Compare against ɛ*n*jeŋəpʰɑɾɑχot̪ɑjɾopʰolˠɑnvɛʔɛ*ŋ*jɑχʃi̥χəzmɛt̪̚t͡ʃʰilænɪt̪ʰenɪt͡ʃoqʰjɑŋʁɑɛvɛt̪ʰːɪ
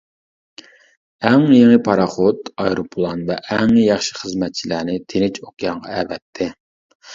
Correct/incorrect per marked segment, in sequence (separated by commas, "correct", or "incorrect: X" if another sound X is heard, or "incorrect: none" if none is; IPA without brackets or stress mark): incorrect: ŋ, correct